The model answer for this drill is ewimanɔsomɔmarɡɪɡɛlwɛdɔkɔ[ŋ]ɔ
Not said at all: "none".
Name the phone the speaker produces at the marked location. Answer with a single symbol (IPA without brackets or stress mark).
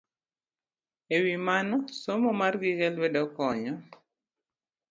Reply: ɲ